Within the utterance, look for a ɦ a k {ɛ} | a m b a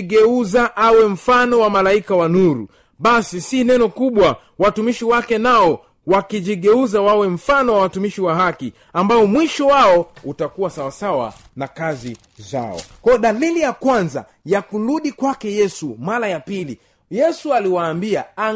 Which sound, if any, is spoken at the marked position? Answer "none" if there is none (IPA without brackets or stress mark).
i